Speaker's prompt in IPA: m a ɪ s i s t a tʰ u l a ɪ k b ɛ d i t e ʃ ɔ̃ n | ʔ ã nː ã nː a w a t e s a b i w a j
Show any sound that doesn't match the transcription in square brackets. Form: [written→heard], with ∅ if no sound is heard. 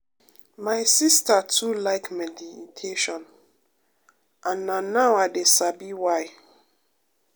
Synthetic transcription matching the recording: m a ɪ s i s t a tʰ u l a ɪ k [b→m] ɛ d i [t→tʰ] e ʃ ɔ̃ n | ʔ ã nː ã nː a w a [t→d] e s a b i w a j